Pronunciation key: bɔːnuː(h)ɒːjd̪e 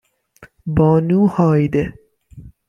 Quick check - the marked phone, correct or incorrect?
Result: correct